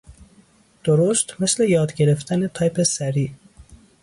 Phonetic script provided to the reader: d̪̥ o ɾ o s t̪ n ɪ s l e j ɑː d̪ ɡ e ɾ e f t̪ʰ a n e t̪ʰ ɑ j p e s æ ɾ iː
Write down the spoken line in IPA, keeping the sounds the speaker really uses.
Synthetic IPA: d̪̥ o ɾ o s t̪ m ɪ s l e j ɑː d̪ ɡ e ɾ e f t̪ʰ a n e t̪ʰ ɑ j p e s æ ɾ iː